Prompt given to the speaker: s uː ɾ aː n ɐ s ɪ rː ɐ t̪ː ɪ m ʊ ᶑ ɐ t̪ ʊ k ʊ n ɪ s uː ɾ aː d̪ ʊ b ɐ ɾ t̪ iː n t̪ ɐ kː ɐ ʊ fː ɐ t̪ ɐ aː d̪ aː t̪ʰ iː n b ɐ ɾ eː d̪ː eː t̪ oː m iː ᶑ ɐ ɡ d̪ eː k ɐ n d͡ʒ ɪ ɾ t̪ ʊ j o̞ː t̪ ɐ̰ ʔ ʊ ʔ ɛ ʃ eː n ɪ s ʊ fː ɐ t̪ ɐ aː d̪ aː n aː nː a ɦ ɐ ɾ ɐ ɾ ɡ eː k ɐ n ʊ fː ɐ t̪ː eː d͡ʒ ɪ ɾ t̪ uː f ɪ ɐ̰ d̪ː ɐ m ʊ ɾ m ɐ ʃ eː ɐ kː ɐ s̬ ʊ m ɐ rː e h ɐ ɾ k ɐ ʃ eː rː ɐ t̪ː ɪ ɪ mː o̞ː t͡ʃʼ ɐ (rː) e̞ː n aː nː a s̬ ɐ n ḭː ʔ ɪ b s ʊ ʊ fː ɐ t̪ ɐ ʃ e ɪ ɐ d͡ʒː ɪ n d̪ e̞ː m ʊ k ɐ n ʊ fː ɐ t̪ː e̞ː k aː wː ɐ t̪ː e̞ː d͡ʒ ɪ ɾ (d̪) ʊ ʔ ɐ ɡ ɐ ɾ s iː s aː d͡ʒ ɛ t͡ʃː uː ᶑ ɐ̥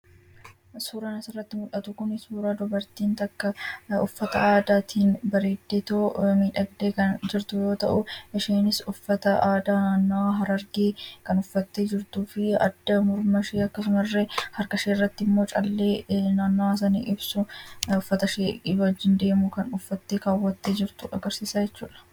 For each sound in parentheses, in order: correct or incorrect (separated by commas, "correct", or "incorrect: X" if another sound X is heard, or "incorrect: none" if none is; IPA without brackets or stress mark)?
incorrect: lː, incorrect: t̪